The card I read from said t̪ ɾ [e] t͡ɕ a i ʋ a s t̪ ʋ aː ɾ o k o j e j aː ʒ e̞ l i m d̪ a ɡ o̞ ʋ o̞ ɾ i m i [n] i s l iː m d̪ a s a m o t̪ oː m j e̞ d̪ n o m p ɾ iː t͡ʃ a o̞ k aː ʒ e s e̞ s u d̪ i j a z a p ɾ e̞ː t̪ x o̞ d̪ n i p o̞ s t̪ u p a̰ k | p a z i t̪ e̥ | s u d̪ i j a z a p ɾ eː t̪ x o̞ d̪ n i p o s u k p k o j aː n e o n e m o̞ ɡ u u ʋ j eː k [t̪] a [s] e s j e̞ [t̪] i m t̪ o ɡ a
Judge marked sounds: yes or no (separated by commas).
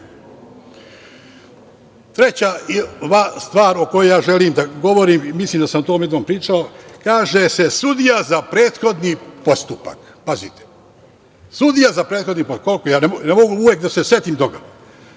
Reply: yes, no, no, yes, yes